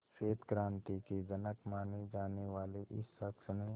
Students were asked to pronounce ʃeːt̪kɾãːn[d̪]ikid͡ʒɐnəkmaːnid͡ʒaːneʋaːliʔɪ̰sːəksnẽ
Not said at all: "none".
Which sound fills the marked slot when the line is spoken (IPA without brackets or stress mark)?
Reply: t̪